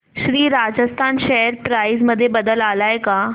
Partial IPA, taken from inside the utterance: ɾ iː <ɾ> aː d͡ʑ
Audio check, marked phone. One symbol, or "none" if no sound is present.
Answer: ɾ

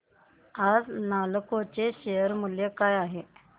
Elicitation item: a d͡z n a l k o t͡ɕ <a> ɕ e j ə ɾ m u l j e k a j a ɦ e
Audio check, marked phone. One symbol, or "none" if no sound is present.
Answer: e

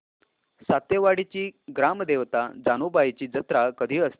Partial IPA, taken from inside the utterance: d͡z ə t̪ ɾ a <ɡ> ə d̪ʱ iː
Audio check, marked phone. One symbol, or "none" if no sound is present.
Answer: k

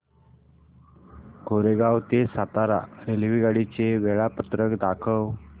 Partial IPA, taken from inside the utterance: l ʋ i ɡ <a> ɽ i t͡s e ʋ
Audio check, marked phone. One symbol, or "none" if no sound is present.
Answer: a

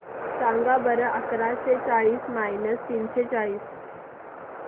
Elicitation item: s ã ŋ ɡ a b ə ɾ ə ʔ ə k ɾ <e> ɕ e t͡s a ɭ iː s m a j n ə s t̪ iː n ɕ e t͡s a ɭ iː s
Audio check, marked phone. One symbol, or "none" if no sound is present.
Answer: a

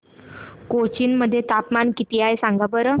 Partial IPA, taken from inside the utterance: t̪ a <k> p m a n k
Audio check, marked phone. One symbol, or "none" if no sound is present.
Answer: none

